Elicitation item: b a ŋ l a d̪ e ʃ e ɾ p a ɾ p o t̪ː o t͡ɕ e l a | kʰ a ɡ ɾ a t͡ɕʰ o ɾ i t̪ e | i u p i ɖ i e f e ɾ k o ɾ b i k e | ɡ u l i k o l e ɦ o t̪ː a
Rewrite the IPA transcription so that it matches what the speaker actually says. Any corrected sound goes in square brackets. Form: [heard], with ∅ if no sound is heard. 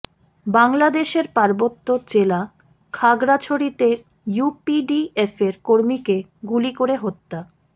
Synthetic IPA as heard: b a ŋ l a d̪ e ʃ e ɾ p a ɾ [b] o t̪ː o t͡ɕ e l a | kʰ a ɡ ɾ a t͡ɕʰ o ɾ i t̪ e | [j] u p i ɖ i e f e ɾ k o ɾ [m] i k e | ɡ u l i k o [ɾ] e ɦ o t̪ː a